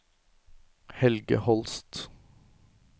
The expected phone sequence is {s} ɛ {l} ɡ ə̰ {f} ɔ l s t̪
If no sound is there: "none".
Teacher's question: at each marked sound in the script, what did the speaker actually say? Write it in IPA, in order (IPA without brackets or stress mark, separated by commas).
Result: h, l, h